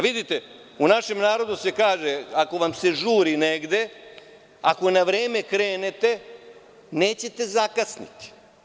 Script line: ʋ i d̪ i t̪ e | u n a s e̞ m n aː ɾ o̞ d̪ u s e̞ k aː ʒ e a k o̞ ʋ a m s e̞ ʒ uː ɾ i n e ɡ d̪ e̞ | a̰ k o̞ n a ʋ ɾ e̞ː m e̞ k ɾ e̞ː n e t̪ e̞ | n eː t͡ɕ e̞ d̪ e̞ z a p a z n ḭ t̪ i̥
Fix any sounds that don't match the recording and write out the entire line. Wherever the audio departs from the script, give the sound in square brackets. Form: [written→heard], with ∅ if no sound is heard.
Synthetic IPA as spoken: ʋ i d̪ i t̪ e | u n a [s→ʃ] e̞ m n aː ɾ o̞ d̪ u s e̞ k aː ʒ e a k o̞ ʋ a m s e̞ ʒ uː ɾ i n e ɡ d̪ e̞ | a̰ k o̞ n a ʋ ɾ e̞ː m e̞ k ɾ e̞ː n e t̪ e̞ | n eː t͡ɕ e̞ [d̪→t̪] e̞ z a [p→k] a [z→s] n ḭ t̪ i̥